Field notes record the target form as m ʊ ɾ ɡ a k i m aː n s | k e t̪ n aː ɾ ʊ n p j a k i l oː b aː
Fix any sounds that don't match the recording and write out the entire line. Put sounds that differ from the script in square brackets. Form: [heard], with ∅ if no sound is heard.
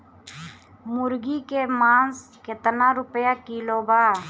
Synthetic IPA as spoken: m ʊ ɾ ɡ [i] k [e] m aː n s | k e t̪ n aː ɾ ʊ [∅] p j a k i l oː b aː